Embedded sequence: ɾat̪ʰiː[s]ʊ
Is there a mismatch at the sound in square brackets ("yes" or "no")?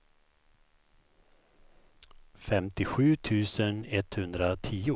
yes